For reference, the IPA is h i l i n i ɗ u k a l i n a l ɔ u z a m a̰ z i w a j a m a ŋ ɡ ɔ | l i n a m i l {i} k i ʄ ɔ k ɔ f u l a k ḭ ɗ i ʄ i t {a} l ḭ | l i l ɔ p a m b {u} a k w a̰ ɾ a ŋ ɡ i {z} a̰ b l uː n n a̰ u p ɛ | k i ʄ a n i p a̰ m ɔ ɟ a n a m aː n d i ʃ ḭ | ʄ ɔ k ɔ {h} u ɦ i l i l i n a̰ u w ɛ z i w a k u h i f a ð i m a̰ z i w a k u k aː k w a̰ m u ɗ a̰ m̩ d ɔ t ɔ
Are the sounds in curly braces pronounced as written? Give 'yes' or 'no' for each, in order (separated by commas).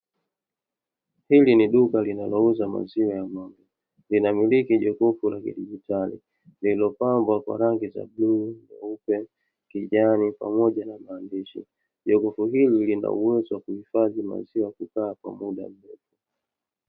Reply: yes, yes, no, yes, no